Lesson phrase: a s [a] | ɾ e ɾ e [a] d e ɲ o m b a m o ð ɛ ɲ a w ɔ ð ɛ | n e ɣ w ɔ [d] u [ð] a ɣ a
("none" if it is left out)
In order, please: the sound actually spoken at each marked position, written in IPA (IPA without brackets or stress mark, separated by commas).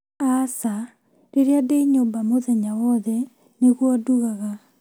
a, a, d, ɣ